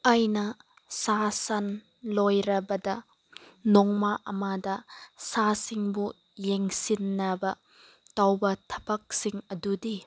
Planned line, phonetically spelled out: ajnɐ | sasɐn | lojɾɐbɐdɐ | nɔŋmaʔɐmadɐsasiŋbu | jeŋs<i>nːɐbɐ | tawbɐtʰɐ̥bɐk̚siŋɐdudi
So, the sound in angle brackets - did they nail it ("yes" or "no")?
yes